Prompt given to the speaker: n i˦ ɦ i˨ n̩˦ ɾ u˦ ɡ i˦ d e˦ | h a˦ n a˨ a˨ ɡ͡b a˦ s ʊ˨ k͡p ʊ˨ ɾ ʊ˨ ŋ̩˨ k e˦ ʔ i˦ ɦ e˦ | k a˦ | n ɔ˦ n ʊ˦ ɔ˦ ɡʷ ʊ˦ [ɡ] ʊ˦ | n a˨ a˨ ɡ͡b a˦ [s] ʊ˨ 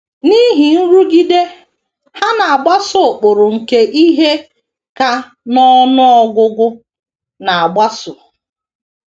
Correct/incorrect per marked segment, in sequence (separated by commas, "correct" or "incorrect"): correct, correct